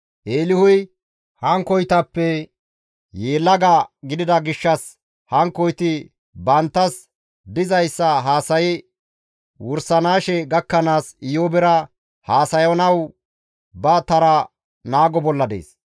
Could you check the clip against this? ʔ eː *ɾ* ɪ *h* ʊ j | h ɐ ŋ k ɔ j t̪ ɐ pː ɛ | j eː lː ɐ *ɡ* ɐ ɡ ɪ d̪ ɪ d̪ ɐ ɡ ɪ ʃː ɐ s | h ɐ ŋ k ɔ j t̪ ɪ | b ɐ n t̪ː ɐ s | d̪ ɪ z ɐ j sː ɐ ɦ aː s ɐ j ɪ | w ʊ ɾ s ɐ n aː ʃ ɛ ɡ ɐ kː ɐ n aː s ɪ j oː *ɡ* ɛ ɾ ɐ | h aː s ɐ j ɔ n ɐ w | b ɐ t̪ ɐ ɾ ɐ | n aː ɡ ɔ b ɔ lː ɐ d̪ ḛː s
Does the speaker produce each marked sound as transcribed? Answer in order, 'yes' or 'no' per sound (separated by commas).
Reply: no, yes, yes, no